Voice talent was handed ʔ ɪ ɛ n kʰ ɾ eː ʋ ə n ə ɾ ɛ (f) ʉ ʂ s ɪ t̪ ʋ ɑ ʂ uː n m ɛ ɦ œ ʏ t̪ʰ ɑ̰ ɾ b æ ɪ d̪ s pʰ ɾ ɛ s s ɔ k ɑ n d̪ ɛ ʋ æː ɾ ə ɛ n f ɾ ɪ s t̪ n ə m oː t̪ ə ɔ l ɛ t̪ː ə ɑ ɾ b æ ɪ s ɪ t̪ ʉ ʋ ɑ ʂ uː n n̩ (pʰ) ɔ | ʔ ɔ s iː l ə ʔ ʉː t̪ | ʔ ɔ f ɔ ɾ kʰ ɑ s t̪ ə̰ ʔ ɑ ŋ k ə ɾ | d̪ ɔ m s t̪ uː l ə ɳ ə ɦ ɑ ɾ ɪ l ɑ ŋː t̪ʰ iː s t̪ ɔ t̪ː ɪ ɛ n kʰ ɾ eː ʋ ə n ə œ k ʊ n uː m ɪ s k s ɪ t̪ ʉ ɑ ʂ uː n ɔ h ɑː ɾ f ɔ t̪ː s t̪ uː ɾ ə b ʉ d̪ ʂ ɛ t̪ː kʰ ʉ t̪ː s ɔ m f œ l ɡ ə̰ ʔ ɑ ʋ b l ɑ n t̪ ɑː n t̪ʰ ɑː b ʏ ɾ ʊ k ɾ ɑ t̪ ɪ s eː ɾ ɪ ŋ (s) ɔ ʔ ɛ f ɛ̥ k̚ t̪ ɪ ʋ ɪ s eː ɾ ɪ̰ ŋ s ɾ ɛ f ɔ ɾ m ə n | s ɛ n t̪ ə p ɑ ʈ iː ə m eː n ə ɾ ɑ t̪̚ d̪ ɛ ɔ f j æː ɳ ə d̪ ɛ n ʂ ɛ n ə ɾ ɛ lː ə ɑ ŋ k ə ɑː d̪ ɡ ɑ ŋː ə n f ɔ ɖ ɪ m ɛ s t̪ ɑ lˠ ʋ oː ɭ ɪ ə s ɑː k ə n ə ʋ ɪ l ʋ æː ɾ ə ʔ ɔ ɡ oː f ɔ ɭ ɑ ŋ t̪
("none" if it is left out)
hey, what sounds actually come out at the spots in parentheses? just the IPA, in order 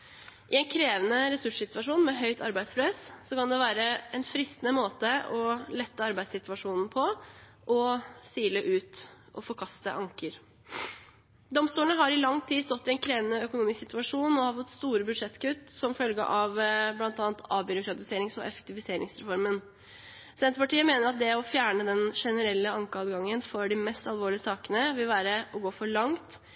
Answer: s, pʰ, s

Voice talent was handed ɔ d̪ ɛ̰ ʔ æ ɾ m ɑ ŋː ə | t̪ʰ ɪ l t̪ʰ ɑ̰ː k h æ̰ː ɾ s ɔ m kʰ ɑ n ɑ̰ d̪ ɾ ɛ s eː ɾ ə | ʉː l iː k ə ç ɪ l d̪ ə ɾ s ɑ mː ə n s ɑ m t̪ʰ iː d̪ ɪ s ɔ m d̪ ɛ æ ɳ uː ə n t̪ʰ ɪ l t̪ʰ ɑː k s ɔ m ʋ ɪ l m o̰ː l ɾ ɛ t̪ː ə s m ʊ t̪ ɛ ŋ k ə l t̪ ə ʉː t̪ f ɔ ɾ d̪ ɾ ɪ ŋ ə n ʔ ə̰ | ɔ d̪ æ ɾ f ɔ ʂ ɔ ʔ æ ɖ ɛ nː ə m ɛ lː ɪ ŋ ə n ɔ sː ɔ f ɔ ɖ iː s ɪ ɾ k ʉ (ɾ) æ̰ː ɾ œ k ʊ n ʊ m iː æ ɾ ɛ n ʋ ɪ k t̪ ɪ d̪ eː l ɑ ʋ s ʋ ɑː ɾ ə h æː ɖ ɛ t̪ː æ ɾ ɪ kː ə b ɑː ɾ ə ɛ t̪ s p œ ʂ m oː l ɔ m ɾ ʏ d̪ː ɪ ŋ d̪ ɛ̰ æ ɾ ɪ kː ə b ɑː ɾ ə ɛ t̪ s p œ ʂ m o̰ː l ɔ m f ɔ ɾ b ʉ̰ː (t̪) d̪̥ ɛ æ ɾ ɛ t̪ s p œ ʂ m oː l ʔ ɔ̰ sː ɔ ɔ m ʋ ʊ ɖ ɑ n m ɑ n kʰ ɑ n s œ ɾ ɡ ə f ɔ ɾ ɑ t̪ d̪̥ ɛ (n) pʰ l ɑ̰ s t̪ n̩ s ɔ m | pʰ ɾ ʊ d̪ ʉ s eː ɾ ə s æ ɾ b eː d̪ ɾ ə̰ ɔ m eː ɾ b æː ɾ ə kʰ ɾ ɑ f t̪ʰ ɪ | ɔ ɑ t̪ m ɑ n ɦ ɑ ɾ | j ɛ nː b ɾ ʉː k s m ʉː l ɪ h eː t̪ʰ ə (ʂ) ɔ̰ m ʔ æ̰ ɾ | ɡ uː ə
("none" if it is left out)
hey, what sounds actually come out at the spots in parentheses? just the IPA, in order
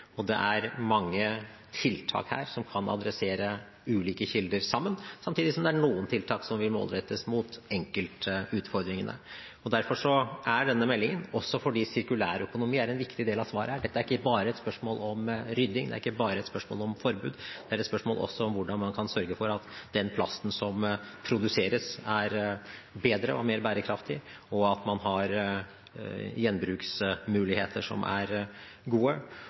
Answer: l, d̪, n, ʂ

